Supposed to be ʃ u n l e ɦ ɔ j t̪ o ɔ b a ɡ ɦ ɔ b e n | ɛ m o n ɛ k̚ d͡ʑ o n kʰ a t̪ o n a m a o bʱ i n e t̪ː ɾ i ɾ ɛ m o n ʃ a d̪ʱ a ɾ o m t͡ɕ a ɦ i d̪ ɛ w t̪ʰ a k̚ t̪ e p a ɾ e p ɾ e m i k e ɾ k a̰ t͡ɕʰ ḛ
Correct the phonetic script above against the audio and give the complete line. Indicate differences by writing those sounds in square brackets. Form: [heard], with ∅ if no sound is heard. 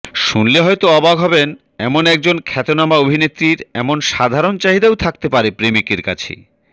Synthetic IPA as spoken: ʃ u n l e ɦ ɔ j t̪ o ɔ b a ɡ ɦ ɔ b e n | ɛ m o n ɛ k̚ d͡ʑ o n kʰ [ɛ] t̪ o n a m a o bʱ i n e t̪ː ɾ i ɾ ɛ m o n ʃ a d̪ʱ a ɾ o [n] t͡ɕ a ɦ i d̪ [a] w t̪ʰ a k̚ t̪ e p a ɾ e p ɾ e m i k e ɾ k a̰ t͡ɕʰ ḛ